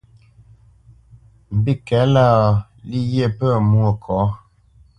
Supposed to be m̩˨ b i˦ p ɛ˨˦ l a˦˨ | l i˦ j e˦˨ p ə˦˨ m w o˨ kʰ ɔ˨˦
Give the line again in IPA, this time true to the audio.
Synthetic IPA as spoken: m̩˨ b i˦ k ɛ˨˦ l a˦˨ | l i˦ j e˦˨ p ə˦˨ m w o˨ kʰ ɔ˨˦